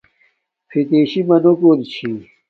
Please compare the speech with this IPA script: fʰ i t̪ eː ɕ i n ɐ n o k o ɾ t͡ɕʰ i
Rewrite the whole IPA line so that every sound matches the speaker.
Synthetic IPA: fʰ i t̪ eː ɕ i m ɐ n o k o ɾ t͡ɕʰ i